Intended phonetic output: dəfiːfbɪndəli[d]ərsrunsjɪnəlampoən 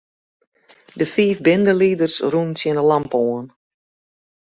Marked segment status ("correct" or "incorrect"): correct